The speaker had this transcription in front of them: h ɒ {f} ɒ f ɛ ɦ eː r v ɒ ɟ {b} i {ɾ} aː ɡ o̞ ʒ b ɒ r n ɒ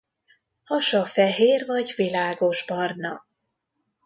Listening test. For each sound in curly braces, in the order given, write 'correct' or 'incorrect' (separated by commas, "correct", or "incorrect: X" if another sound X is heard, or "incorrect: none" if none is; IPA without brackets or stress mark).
incorrect: ʃ, incorrect: v, incorrect: l